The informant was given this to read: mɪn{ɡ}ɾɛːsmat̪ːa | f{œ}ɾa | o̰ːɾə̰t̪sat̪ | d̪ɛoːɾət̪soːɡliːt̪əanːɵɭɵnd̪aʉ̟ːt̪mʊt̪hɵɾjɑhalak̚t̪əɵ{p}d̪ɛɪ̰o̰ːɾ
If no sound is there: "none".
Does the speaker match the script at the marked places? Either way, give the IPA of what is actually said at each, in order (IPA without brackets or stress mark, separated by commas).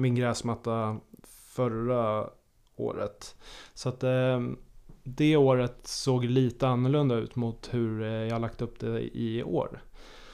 ɡ, œ, p